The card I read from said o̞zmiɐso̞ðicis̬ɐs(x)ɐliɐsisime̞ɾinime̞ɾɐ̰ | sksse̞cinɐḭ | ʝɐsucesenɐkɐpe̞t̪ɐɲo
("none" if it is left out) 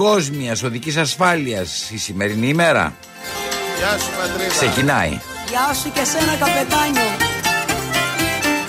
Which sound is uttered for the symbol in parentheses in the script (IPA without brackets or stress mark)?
f